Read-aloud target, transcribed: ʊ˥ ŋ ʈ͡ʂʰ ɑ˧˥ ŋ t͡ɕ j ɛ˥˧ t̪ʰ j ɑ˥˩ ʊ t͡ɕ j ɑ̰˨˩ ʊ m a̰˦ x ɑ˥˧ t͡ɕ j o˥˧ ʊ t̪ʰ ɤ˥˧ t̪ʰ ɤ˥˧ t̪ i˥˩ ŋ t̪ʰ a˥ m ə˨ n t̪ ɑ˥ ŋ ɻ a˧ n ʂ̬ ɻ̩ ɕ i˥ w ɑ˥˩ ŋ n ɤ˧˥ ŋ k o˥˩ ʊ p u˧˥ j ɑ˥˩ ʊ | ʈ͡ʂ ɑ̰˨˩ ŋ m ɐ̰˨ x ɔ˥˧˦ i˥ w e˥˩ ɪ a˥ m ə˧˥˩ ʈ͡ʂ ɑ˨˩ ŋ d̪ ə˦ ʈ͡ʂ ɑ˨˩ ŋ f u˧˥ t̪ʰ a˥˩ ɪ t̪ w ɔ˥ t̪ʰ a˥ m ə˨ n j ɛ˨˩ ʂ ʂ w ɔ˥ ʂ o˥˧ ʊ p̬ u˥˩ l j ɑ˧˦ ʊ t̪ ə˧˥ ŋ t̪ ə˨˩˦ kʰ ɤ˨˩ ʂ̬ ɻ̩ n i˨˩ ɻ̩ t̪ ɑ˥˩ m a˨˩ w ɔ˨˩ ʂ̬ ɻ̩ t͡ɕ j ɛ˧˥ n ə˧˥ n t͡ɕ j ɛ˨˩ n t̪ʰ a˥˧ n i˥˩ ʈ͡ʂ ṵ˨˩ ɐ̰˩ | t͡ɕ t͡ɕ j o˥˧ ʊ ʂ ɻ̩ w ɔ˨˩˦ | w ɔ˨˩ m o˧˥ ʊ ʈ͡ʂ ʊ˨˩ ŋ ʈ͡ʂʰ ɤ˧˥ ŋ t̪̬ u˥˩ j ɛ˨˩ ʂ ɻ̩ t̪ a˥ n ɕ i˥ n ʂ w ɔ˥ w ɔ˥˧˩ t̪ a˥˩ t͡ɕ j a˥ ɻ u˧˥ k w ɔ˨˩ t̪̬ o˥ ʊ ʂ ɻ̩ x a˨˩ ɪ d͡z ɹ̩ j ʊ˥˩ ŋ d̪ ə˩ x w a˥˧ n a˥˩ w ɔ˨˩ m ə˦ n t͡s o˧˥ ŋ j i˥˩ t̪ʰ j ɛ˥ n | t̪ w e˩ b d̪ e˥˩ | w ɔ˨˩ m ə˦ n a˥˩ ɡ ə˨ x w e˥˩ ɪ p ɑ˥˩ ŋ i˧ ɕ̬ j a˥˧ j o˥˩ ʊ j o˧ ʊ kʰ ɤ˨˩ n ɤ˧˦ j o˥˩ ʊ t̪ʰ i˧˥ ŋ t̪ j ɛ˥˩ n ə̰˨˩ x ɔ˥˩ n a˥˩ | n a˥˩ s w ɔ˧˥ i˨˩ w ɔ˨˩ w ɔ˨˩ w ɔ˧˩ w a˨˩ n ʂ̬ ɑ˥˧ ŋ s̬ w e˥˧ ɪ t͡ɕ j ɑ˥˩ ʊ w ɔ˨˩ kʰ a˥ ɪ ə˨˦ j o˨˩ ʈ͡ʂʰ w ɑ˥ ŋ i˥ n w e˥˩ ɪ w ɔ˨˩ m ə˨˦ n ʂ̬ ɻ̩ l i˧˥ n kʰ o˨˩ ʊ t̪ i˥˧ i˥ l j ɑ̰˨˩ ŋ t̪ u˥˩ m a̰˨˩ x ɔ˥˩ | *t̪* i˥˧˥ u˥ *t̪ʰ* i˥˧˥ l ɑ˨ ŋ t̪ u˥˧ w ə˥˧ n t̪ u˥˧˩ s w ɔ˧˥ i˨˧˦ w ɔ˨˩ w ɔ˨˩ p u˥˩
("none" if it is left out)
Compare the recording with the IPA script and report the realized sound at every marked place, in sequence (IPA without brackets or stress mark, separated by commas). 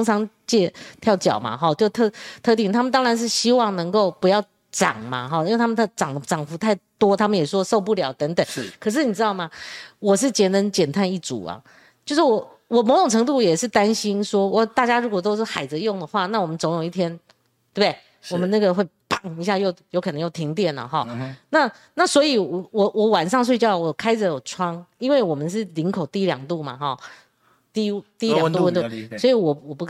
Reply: t̪, t̪